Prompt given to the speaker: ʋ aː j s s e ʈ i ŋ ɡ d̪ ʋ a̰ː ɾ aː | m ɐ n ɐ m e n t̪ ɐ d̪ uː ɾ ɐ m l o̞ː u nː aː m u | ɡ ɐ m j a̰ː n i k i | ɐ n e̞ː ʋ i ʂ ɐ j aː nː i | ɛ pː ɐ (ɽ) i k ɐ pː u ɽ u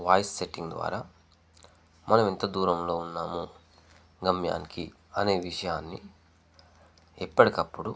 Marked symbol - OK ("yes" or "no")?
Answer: yes